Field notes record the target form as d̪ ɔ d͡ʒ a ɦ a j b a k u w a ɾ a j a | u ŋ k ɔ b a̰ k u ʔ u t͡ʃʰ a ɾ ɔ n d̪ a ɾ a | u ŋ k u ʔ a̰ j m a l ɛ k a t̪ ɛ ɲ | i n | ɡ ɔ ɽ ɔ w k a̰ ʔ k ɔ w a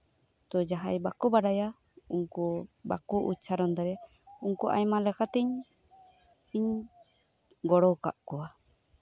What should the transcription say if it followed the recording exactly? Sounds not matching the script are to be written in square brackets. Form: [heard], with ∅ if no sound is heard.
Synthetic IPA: [t̪] ɔ d͡ʒ a ɦ a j b a k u [b] a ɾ a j a | u ŋ k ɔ b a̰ k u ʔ u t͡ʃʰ a ɾ ɔ n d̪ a ɾ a | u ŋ k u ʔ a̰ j m a l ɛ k a t̪ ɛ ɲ | i [ɲ] | ɡ ɔ ɽ ɔ w k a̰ ʔ k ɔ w a

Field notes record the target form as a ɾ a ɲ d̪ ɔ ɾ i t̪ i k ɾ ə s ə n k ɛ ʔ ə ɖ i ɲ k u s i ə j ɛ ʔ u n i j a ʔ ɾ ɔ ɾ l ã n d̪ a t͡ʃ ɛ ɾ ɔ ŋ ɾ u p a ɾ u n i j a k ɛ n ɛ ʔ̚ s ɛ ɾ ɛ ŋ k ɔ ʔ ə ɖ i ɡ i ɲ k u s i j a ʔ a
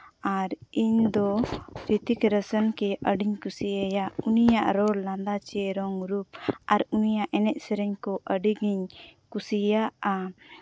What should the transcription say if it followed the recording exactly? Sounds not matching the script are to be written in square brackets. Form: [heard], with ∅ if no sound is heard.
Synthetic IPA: a ɾ [i] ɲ d̪ ɔ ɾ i t̪ i k ɾ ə s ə n k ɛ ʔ ə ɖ i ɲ k u s i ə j [a] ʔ u n i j a ʔ ɾ ɔ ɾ l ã n d̪ a t͡ʃ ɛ ɾ ɔ ŋ ɾ u p a ɾ u n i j a [ʔ] ɛ n ɛ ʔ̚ s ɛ ɾ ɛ [ɲ] k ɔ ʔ ə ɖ i ɡ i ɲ k u s i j a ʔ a

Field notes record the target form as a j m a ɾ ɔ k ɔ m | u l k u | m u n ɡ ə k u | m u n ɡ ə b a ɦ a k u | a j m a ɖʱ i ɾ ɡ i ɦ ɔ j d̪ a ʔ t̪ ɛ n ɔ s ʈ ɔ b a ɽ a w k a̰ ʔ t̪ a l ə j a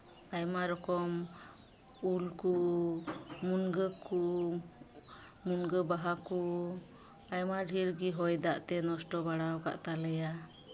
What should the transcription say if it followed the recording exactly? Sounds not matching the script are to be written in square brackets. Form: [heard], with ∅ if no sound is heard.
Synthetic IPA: a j m a ɾ ɔ k ɔ m | u l k u | m u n ɡ ə k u | m u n ɡ ə b a ɦ a k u | a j m a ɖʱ i ɾ ɡ i ɦ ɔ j d̪ a ʔ t̪ ɛ n ɔ s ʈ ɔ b a ɽ a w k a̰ ʔ t̪ a l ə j a

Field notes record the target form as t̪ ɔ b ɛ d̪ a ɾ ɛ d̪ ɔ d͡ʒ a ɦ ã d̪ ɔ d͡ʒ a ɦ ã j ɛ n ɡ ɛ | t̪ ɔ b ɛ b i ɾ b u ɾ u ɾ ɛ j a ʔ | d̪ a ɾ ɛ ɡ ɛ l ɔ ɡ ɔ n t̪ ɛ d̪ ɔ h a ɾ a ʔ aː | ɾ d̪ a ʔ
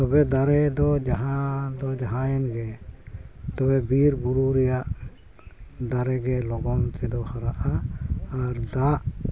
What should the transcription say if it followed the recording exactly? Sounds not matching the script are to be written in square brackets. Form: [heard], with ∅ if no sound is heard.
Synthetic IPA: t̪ ɔ b ɛ d̪ a ɾ ɛ d̪ ɔ d͡ʒ a ɦ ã d̪ ɔ d͡ʒ a ɦ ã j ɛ n ɡ ɛ | t̪ ɔ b ɛ b i ɾ b u ɾ u ɾ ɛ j a ʔ | d̪ a ɾ ɛ ɡ ɛ l ɔ ɡ ɔ n t̪ ɛ d̪ ɔ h a ɾ a ʔ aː | ɾ d̪ a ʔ

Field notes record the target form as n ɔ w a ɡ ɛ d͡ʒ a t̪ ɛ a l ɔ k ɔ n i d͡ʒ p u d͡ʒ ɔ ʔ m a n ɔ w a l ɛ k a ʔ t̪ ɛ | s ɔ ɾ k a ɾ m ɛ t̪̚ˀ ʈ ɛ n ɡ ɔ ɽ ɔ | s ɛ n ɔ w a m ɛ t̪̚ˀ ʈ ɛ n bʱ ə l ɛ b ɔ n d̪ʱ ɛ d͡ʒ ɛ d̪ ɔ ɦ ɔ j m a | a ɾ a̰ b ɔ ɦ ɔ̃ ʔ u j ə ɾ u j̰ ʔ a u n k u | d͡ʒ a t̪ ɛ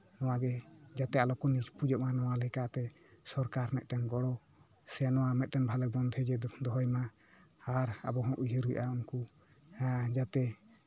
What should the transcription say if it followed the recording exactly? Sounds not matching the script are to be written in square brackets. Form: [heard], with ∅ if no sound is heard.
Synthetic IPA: n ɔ w a ɡ ɛ d͡ʒ a t̪ ɛ a l ɔ k ɔ n i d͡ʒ p u d͡ʒ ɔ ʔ m a n ɔ w a l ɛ k a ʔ t̪ ɛ | s ɔ ɾ k a ɾ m ɛ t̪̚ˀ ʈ ɛ n ɡ ɔ ɽ ɔ | s ɛ n ɔ w a m ɛ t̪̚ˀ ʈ ɛ n bʱ [a] l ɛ b ɔ n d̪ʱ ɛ d͡ʒ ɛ d̪ ɔ ɦ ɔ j m a | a ɾ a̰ b ɔ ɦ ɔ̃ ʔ u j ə ɾ u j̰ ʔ a u n k u | d͡ʒ a t̪ ɛ

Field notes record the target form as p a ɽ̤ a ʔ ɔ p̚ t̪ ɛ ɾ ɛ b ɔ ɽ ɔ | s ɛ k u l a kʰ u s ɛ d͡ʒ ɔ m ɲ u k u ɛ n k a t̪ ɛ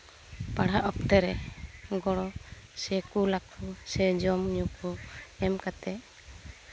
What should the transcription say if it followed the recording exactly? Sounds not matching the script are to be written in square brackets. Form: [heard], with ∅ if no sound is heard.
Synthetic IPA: p a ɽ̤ a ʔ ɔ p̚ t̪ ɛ ɾ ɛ [ɡ] ɔ ɽ ɔ | s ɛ k u l a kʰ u s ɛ d͡ʒ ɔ m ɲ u k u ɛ [m] k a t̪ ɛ

